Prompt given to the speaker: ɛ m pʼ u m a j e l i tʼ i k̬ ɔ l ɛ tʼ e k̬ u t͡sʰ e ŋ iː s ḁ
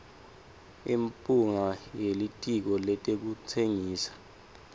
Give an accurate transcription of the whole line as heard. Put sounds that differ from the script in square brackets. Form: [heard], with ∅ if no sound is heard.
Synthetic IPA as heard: [i] m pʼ u [ŋ] a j e l i tʼ i k̬ ɔ l ɛ tʼ e k̬ u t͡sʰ e ŋ iː s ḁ